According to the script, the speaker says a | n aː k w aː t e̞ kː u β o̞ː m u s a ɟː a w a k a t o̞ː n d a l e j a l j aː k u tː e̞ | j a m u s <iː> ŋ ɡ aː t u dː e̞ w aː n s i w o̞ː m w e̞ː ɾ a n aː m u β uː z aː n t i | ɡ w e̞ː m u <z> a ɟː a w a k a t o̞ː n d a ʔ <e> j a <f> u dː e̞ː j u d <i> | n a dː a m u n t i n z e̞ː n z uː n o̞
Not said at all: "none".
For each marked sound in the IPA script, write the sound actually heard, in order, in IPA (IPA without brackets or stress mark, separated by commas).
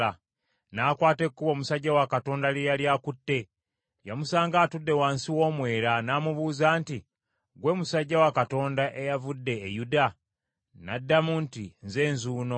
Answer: aː, s, e, v, a